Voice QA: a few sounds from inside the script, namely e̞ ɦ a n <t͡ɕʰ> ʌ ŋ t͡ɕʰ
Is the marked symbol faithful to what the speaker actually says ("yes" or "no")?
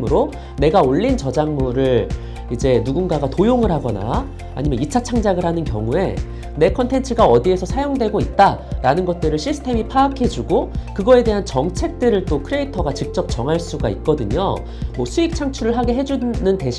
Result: no